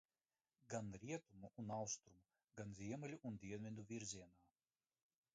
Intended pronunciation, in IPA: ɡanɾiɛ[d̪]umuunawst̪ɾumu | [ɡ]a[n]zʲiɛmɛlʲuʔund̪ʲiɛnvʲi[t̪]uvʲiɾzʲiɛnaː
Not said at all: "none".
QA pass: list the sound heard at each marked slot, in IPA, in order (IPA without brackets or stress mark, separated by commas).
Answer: t̪, ɡ, n, d̪